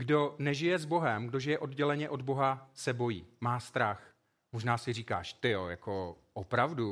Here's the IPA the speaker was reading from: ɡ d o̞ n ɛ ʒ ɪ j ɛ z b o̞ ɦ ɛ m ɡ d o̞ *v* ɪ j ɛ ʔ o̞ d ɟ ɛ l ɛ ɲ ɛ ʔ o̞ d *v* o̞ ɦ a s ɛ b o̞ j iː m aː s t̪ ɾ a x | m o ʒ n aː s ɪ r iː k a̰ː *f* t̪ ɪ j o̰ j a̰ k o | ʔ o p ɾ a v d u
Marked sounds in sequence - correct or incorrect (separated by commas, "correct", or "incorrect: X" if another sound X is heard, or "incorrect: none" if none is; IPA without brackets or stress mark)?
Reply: incorrect: ʒ, incorrect: b, incorrect: ʃ